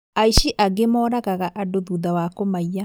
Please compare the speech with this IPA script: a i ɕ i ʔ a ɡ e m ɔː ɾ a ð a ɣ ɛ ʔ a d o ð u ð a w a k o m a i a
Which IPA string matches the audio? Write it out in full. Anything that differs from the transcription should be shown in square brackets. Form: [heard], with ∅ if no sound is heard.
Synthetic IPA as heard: a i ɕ i ʔ a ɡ e m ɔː ɾ a [ɣ] a ɣ [a] ʔ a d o ð u ð a w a k o m a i a

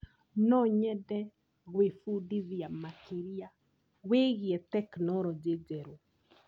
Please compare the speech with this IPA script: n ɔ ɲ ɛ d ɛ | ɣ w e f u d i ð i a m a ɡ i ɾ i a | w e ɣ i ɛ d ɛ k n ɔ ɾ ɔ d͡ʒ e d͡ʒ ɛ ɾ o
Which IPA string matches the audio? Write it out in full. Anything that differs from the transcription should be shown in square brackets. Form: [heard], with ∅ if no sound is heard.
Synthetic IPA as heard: n ɔ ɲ ɛ d ɛ | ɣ w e f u d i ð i a m a [k] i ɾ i a | w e ɣ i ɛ [t] ɛ k n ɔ ɾ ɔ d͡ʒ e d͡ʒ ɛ ɾ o

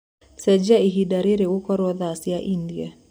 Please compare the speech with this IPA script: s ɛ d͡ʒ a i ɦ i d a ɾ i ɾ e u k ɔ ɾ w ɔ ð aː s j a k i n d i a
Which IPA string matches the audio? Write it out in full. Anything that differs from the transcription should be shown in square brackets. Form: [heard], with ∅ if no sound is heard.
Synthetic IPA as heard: s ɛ d͡ʒ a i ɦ i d a ɾ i ɾ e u k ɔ ɾ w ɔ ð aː s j a [ʔ] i n d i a

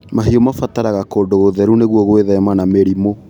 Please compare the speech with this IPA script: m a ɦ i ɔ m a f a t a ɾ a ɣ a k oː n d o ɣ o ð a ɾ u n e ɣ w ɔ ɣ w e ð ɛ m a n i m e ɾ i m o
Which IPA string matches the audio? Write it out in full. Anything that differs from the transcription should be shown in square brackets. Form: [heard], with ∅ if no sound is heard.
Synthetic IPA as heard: m a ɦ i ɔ m a f a t a ɾ a ɣ a k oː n d o ɣ o ð [ɛ] ɾ u n e ɣ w ɔ ɣ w e ð ɛ m a n [a] m e ɾ i m o

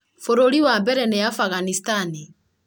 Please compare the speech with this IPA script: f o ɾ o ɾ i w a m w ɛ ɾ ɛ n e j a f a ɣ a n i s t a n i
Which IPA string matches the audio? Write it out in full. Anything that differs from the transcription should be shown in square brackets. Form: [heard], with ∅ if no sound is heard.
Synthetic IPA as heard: f o ɾ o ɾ i w a m [b] ɛ ɾ ɛ n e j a f a ɣ a n i s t a n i

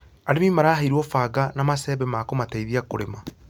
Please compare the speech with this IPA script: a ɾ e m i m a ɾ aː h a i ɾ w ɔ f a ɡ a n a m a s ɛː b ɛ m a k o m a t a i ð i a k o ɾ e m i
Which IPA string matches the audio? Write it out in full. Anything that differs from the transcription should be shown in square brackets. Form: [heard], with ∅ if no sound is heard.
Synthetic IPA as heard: a ɾ e m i m a ɾ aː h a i ɾ w ɔ f a ɡ a n a m a s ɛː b ɛ m a k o m a t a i ð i a k o ɾ e m [a]

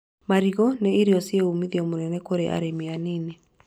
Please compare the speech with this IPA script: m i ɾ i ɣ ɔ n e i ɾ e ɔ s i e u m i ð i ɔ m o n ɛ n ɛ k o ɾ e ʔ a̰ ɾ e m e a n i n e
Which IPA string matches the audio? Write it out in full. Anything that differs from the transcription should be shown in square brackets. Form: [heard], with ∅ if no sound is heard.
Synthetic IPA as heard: m [a] ɾ i ɣ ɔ n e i ɾ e ɔ s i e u m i ð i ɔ m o n ɛ n ɛ k o ɾ e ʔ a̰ ɾ e m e a n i n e

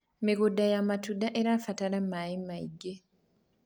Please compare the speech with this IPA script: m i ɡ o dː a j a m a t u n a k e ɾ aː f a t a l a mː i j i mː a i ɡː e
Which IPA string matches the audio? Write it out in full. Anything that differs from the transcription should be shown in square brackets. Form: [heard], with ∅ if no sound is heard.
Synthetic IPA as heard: m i ɡ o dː a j a m a t u [d] a [ʔ] e ɾ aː f a t a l a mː [a] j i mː a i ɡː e

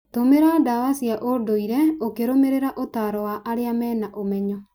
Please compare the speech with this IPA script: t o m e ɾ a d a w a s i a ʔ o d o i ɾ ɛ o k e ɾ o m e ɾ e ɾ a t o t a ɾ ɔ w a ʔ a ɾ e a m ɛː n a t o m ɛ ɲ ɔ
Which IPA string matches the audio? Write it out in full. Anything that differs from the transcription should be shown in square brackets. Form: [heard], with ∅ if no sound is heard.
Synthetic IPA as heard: t o m e ɾ a d a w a s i a ʔ o d o i ɾ ɛ o k e ɾ o m e ɾ e ɾ a [ʔ] o t a ɾ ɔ w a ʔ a ɾ e a m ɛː n a [ʔ] o m ɛ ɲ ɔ

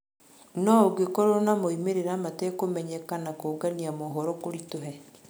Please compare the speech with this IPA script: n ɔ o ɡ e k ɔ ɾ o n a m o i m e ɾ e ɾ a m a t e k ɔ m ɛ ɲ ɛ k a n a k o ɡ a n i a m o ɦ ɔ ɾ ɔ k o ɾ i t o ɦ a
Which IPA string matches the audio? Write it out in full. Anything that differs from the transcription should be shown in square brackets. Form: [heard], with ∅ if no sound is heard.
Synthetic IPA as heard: n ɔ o ɡ e k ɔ ɾ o n a m o i m e ɾ e ɾ a m a t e k [o] m ɛ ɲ ɛ k a n a k o ɡ a n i a m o ɦ ɔ ɾ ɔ k o ɾ i t o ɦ [ɛ]

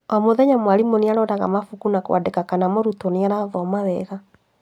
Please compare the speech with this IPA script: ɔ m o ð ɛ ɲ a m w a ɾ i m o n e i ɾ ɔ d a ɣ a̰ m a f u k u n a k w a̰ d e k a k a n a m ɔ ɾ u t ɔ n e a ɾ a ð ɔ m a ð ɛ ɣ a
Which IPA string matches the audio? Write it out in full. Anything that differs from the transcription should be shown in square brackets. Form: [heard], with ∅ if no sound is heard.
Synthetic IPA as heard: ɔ m o ð ɛ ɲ a m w a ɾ i m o n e [a] ɾ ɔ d a ɣ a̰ m a f u k u n a k w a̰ d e k a k a n a m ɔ ɾ u t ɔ n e a ɾ a ð ɔ m a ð ɛ ɣ a

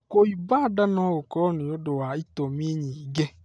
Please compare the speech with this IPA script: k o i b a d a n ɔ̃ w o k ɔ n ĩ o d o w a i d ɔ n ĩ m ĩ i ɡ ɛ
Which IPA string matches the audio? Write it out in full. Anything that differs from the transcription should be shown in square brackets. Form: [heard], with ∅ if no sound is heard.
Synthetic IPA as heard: k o i b a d a n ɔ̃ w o k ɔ n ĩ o d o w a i [t] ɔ [m] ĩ [ɲ] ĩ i ɡ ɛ

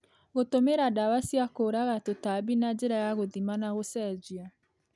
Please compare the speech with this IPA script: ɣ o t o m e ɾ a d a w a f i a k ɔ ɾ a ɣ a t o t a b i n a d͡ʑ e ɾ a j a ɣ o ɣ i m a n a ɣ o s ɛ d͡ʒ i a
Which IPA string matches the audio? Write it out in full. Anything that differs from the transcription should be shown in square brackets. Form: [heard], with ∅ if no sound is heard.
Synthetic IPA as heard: ɣ o t o m e ɾ a d a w a [s] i a k [o] ɾ a ɣ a t o t a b i n a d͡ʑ e ɾ a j a ɣ o [ð] i m a n a ɣ o s ɛ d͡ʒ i a

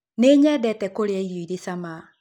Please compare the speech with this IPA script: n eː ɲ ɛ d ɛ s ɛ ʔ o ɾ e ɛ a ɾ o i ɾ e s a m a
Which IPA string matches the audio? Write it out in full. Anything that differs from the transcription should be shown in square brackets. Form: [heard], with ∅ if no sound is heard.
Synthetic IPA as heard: n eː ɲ ɛ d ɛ [t] ɛ [k] o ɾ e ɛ [i] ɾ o i ɾ e s a m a

